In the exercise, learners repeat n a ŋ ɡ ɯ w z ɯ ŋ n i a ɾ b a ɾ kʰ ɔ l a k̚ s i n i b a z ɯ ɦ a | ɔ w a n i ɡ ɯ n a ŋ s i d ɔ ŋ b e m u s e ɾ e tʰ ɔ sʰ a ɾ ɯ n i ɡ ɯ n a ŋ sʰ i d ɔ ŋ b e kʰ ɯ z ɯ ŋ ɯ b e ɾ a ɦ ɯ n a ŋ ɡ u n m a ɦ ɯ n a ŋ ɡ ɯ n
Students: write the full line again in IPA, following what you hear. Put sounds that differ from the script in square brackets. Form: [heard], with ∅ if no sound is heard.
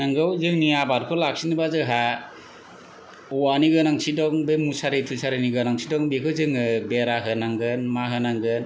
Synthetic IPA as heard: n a ŋ ɡ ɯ w z ɯ ŋ n i a [∅] b a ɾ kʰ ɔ l a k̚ s i n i b a z ɯ ɦ a | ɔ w a n i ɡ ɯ n a ŋ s i d ɔ ŋ b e m u s [a] ɾ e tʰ [u] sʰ a ɾ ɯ n i ɡ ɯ n a ŋ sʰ i d ɔ ŋ b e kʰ ɯ z ɯ ŋ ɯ b e ɾ a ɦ ɯ n a ŋ ɡ [ɯ] n m a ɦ ɯ n a ŋ ɡ ɯ n